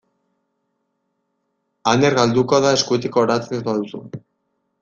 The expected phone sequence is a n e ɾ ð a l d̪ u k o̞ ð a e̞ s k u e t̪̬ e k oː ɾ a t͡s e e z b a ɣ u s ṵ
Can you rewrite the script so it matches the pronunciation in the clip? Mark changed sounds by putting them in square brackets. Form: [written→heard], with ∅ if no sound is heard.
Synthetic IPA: a n e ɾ [ð→ɣ] a l d̪ u k o̞ ð a e̞ s k u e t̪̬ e k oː ɾ a t͡s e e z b a [ɣ→ð] u s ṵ